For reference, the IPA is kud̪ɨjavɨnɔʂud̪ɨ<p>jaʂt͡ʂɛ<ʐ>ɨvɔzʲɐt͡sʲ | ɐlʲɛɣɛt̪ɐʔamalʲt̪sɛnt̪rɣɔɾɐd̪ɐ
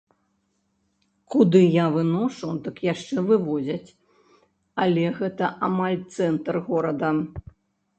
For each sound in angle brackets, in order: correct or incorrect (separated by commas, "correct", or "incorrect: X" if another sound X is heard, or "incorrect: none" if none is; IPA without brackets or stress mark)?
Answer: incorrect: k, incorrect: v